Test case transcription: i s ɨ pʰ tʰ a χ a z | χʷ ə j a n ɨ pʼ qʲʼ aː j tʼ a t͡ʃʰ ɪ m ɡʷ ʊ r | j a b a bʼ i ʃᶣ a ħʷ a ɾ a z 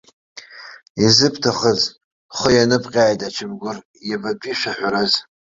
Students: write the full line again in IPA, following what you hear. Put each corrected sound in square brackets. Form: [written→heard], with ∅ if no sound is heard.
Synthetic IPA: i [s→z] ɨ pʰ tʰ a χ [a→ə] z | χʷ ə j a n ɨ pʼ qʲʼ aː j tʼ a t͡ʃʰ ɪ m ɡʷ ʊ r | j a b a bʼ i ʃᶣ a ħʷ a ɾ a z